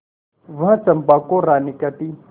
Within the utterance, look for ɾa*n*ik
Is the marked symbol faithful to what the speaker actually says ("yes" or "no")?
yes